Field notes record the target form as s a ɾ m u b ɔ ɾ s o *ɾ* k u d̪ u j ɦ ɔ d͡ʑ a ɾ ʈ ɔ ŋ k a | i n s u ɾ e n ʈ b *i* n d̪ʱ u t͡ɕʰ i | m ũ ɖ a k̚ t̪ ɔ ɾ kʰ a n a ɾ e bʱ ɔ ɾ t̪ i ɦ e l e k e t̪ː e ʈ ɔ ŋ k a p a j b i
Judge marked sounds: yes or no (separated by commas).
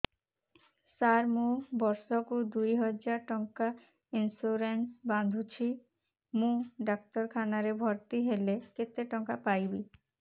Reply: no, no